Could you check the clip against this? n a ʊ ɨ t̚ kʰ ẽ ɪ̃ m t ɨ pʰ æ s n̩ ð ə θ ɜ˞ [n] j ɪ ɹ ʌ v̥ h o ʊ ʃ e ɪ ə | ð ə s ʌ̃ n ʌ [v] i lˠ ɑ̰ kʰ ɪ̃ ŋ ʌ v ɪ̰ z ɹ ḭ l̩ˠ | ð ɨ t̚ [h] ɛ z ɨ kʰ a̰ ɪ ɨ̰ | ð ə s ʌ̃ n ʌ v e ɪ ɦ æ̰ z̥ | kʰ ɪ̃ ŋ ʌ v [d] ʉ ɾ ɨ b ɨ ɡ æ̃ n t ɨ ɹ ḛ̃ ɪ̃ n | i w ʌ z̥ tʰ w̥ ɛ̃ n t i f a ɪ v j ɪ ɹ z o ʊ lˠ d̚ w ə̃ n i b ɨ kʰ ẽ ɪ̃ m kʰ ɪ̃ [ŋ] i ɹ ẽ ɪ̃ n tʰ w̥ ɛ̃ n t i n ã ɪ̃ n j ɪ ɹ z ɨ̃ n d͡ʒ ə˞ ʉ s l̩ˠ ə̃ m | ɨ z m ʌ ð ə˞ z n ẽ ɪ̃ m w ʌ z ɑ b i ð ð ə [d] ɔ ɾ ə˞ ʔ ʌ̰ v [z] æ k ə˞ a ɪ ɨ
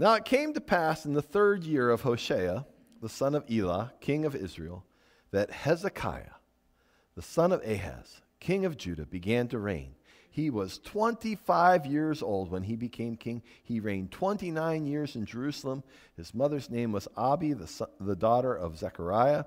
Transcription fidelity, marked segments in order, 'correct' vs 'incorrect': incorrect: d, correct, correct, incorrect: d͡ʒ, correct, correct, correct

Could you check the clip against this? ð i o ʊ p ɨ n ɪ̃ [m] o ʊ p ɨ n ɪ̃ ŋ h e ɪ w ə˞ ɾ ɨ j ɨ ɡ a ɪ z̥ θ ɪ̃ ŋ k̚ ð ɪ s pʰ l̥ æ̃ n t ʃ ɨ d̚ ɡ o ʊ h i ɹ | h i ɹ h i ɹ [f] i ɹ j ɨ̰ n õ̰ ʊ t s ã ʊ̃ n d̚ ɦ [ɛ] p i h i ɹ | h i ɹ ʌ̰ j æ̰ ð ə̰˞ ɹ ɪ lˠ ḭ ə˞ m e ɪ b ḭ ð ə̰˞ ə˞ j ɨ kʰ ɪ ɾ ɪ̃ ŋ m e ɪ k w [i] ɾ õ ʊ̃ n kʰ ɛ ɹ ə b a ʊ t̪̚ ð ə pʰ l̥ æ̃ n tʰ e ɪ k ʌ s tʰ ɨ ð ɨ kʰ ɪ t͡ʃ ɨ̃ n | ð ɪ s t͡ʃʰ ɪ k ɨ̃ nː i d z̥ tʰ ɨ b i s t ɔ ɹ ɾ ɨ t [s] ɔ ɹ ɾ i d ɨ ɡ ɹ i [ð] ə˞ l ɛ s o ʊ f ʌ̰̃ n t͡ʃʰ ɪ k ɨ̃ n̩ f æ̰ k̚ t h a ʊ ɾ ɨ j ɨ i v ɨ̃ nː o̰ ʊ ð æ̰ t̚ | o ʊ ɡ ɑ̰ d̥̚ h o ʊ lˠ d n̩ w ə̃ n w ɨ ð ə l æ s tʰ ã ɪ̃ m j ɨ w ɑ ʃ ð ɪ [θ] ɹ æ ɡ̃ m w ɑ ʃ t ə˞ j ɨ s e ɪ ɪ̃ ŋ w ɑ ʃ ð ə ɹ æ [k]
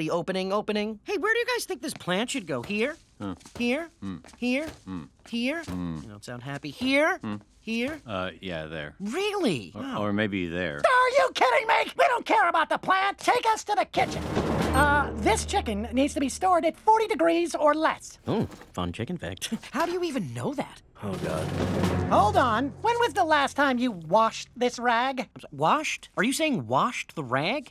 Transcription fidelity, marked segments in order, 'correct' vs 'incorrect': incorrect: ŋ, incorrect: h, incorrect: æ, correct, incorrect: f, incorrect: z, incorrect: s, incorrect: ɡ

